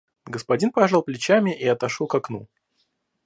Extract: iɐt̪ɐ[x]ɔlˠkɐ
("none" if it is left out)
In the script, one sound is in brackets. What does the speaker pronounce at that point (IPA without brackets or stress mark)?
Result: ʂ